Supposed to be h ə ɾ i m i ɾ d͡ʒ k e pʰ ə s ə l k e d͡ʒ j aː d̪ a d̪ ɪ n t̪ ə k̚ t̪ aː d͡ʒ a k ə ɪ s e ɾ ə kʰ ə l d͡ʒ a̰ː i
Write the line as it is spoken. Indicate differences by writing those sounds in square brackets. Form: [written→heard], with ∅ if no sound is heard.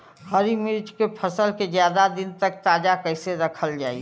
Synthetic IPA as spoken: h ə ɾ i m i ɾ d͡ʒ k e pʰ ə s ə l k e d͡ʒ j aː d̪ a d̪ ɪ n t̪ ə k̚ t̪ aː d͡ʒ a k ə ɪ s e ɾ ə kʰ ə l d͡ʒ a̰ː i